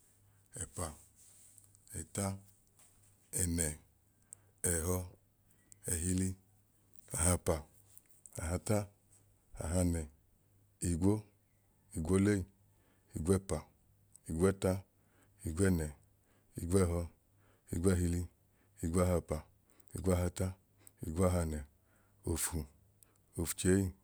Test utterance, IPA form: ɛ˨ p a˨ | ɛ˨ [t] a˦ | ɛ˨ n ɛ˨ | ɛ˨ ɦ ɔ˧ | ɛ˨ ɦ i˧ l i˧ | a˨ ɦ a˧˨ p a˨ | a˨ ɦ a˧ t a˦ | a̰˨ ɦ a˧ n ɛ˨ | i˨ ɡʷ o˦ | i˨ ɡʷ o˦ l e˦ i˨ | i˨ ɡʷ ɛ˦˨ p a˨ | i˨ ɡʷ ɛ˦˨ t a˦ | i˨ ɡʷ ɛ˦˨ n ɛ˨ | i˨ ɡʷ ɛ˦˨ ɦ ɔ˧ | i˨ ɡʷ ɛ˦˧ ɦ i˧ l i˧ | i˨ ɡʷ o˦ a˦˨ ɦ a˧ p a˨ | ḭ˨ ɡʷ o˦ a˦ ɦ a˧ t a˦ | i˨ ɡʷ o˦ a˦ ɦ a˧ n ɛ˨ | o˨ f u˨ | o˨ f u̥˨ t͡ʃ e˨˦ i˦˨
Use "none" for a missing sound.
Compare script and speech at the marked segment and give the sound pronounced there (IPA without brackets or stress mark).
t